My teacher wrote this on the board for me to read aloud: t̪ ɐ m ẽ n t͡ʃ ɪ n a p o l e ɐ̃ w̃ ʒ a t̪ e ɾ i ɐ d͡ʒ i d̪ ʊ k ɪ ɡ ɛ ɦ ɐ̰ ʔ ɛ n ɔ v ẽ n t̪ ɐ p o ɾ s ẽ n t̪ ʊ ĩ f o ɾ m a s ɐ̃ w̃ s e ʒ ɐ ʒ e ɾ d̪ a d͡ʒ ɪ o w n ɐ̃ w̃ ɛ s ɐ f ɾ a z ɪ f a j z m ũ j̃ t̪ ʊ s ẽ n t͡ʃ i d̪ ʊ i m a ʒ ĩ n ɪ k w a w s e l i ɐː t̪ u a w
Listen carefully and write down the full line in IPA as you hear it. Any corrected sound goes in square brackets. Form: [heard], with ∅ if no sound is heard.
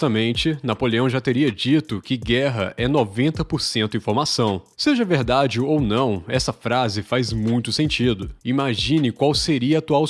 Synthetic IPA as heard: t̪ ɐ m ẽ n t͡ʃ ɪ n a p o l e ɐ̃ w̃ ʒ a t̪ e ɾ i ɐ d͡ʒ i [t̪] ʊ k ɪ ɡ ɛ ɦ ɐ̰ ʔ ɛ n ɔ v ẽ n t̪ ɐ p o ɾ s ẽ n t̪ ʊ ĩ f o ɾ m a s ɐ̃ w̃ s e ʒ ɐ [v] e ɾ d̪ a d͡ʒ ɪ o w n ɐ̃ w̃ ɛ s ɐ f ɾ a z ɪ f a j z m ũ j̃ t̪ ʊ s ẽ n t͡ʃ i d̪ ʊ i m a ʒ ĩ n ɪ k w a w s e [ɾ] i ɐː t̪ u a w